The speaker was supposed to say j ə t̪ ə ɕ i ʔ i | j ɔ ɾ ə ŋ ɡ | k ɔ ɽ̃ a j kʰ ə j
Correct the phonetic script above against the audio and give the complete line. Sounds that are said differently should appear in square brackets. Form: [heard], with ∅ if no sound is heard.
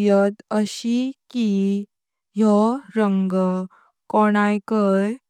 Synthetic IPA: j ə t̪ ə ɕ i [k] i | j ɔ ɾ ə ŋ ɡ | k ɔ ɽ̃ a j [k] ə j